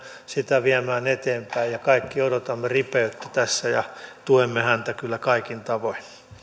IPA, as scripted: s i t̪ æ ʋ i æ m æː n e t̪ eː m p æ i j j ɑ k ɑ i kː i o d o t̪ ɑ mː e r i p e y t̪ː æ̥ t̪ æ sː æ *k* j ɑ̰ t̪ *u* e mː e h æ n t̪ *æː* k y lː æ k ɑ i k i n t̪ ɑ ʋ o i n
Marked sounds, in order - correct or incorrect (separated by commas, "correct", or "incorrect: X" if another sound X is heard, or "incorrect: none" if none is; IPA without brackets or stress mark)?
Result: incorrect: none, correct, incorrect: æ